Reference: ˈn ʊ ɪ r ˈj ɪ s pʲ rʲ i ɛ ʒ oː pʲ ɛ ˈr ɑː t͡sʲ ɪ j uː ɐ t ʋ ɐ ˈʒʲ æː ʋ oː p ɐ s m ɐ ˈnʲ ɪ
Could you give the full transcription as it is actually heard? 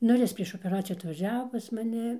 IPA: ˈn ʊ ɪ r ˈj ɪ s pʲ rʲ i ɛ ʃ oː pʲ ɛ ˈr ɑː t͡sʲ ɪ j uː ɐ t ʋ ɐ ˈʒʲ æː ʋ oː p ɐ s m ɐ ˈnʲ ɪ

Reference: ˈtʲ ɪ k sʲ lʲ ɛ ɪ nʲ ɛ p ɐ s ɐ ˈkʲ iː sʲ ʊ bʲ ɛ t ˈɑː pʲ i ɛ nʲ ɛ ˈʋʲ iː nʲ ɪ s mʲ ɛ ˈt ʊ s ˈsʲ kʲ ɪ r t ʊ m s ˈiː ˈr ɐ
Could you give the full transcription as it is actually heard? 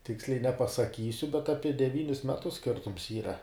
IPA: ˈtʲ ɪ k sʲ lʲ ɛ ɪ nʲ ɛ p ɐ s ɐ ˈkʲ iː sʲ ʊ bʲ ɛ t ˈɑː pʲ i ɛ dʲ ɛ ˈʋʲ iː nʲ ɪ s mʲ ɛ ˈt ʊ s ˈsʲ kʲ ɪ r t ʊ m s ˈiː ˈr ɐ

